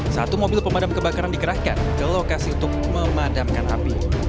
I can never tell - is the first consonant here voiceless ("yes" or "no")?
yes